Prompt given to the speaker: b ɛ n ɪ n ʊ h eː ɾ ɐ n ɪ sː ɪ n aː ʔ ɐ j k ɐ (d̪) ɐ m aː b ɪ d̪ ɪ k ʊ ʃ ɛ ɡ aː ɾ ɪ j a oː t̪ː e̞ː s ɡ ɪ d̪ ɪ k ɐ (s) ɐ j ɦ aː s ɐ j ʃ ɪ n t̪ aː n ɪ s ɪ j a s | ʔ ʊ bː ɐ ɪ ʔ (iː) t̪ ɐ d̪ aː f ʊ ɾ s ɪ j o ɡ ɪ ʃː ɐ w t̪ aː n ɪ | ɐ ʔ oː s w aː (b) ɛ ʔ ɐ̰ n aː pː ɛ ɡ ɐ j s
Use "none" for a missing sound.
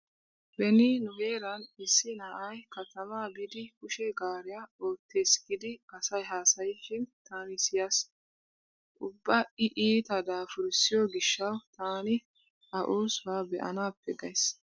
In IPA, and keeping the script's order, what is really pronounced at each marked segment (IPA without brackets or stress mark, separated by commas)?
t̪, s, iː, b